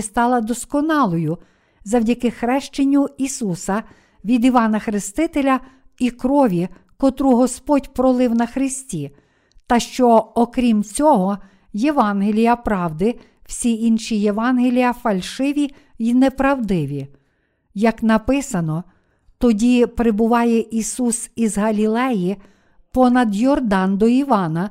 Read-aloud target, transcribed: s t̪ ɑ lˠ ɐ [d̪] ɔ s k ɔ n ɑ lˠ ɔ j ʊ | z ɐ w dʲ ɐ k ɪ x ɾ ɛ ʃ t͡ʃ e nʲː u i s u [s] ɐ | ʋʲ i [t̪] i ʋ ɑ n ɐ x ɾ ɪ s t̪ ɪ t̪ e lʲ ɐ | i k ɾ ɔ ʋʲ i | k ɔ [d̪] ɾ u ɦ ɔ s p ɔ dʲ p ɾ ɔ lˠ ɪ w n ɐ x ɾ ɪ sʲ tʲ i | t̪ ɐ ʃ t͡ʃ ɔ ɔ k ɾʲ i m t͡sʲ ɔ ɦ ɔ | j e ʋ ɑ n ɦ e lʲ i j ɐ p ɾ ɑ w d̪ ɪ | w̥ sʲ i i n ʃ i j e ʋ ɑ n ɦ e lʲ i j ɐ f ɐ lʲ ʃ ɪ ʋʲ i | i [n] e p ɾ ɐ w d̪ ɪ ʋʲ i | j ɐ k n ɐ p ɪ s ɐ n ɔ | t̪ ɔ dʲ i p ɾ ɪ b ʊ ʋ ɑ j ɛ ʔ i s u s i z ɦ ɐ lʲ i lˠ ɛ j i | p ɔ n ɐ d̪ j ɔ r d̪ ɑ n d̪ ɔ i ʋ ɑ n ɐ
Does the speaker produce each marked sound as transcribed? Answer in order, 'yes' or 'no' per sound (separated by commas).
yes, yes, no, no, yes